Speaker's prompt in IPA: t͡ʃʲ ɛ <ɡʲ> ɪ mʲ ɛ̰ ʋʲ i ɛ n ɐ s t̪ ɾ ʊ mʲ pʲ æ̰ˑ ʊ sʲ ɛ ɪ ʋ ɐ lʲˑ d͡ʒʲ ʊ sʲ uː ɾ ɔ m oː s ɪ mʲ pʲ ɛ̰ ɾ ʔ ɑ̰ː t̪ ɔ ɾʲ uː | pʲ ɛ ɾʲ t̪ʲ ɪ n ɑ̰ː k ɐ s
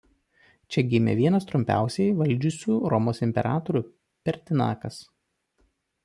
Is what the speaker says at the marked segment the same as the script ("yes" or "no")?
yes